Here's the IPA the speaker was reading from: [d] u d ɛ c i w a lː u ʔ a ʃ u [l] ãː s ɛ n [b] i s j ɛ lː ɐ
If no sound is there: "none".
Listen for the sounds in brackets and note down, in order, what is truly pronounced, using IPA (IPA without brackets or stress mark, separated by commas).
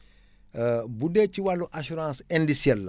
b, ɾ, d